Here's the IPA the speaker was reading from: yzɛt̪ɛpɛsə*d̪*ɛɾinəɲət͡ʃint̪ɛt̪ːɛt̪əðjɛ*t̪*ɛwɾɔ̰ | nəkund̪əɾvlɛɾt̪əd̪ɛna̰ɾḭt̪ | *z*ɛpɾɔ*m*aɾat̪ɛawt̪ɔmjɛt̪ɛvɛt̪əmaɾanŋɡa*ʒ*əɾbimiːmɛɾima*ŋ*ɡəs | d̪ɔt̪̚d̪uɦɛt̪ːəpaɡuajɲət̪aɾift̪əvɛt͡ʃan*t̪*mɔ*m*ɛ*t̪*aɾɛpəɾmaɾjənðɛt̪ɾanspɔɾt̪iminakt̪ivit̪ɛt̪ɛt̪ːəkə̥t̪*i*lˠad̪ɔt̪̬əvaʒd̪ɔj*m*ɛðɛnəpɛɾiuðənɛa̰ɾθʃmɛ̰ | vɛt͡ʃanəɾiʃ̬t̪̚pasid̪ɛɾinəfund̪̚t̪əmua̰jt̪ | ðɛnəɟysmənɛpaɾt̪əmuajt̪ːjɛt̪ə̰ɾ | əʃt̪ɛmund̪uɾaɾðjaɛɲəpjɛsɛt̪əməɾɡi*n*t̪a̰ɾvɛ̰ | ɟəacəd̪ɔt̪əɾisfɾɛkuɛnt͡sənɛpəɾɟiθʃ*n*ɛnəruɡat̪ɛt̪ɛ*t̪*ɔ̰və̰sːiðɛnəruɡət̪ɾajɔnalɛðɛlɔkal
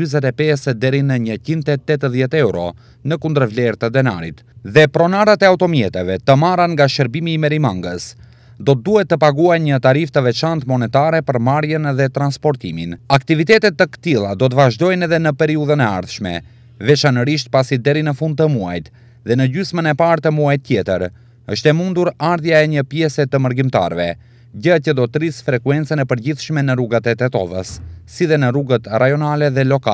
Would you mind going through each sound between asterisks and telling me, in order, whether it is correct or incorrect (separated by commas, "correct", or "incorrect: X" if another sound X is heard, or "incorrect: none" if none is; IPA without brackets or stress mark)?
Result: correct, correct, incorrect: ð, incorrect: n, incorrect: ʃ, correct, correct, incorrect: n, correct, correct, incorrect: n, incorrect: m, incorrect: m, correct